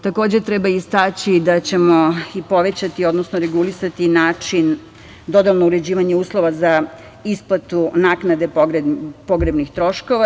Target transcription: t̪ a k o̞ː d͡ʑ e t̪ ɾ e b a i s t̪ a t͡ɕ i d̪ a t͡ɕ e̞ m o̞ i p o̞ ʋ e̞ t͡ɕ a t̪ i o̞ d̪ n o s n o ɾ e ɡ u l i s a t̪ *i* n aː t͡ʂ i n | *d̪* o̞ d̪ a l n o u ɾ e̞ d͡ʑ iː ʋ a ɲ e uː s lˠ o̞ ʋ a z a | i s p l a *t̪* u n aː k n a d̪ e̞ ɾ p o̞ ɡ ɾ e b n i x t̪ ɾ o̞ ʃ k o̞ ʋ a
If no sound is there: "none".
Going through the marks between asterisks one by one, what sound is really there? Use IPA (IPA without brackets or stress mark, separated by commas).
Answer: i, d̪, t̪